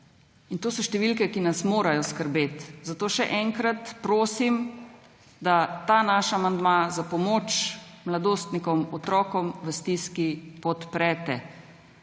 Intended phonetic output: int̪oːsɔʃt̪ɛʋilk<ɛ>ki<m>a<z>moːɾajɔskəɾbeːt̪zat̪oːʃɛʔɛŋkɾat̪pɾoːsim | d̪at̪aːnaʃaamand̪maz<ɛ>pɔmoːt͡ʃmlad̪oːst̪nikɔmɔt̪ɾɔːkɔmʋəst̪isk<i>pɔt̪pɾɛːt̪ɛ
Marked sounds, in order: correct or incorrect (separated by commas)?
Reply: correct, incorrect, incorrect, incorrect, correct